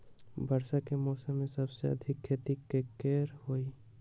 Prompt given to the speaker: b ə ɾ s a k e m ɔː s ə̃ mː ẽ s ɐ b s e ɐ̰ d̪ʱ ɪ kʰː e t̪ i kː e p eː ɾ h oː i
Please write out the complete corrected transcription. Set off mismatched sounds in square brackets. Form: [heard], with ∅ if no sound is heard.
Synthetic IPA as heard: b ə ɾ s a k e m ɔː s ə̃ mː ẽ s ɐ b s e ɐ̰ d̪ʱ ɪ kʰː e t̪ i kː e [k] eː ɾ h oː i